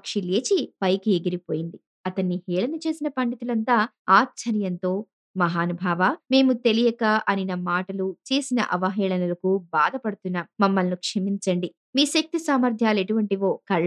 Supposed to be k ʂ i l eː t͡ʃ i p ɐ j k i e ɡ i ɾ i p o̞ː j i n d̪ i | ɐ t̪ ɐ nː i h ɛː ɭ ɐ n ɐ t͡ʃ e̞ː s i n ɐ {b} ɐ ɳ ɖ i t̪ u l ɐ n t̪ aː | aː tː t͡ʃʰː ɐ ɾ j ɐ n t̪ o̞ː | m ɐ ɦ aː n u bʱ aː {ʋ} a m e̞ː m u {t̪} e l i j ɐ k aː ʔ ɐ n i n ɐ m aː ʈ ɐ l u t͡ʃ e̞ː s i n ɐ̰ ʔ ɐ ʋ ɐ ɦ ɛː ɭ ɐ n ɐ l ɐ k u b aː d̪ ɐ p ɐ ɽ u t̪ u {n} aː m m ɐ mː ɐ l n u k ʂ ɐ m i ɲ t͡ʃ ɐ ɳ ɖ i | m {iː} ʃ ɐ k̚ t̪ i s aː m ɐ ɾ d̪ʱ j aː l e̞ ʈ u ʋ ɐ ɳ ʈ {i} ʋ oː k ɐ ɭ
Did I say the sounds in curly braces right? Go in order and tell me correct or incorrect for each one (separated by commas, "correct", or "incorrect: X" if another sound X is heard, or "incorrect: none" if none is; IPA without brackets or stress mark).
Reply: incorrect: p, correct, correct, incorrect: nː, correct, correct